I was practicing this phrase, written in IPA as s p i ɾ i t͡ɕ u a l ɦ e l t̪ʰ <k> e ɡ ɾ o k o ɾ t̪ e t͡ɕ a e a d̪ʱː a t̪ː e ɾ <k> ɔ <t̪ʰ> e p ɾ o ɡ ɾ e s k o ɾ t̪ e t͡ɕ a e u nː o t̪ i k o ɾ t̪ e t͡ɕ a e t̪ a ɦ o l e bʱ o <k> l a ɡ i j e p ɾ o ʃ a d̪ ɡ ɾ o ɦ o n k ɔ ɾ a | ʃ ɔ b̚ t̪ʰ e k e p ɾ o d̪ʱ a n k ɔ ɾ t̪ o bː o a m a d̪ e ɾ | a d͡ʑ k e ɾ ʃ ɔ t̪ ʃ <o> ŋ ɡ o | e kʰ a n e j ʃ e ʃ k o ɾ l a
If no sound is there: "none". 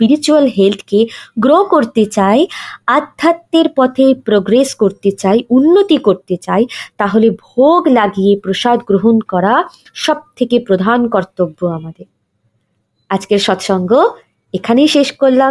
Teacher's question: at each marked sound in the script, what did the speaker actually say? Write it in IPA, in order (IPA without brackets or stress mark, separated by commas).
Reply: k, p, t̪ʰ, ɡ, ɔ